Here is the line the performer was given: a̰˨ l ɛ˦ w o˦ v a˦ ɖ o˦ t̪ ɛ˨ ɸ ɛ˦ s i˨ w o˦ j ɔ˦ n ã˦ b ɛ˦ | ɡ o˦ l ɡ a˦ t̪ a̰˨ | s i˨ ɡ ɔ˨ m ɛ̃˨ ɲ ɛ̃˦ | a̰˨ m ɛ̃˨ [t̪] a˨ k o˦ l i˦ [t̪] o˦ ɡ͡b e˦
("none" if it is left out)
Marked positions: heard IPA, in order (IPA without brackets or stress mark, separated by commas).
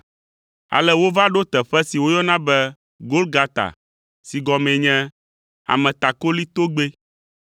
t̪, t̪